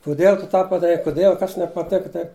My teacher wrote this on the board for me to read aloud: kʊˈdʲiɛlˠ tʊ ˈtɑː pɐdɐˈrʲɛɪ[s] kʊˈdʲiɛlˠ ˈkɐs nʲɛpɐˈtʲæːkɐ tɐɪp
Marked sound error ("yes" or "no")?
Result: yes